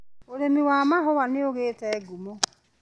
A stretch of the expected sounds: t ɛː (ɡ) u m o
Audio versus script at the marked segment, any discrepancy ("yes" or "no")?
no